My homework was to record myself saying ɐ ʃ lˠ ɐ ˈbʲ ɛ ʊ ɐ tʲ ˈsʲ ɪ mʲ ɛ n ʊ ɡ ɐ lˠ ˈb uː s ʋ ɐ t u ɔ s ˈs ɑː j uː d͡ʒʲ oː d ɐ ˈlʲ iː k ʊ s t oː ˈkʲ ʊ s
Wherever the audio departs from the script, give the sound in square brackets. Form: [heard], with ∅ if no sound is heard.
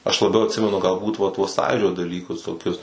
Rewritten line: ɐ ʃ lˠ ɐ ˈbʲ ɛ ʊ ɐ tʲ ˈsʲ ɪ mʲ ɛ n ʊ ɡ ɐ lˠ ˈb uː [t] ʋ ɐ t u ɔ s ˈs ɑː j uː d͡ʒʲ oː d ɐ ˈlʲ iː k ʊ s t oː ˈkʲ ʊ s